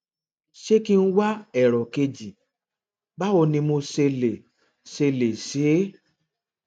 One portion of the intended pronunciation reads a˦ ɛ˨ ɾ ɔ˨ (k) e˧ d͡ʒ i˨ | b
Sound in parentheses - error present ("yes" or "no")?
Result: no